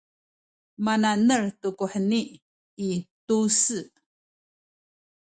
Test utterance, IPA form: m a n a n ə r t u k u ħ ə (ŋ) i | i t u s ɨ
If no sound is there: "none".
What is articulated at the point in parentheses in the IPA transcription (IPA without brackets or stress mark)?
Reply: n